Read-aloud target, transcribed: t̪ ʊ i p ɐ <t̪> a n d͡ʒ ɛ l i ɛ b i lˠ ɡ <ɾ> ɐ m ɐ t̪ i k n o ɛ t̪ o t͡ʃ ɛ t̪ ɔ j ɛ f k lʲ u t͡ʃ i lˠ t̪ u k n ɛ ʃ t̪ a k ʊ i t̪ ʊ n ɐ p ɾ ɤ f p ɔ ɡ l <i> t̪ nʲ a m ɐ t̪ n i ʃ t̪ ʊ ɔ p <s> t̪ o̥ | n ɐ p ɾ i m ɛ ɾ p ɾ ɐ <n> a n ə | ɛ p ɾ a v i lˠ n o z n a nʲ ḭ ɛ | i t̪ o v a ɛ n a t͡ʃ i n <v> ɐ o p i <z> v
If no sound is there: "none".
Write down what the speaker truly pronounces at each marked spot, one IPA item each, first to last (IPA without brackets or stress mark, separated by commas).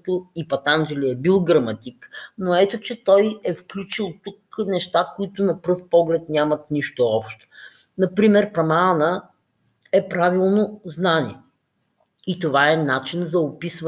t̪, ɾ, ɛ, ʃ, m, z, s